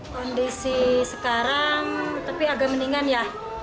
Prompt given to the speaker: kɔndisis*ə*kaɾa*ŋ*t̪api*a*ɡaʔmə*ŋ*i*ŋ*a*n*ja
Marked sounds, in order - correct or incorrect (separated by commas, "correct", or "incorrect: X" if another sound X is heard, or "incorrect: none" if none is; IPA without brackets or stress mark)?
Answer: correct, correct, correct, incorrect: n, correct, correct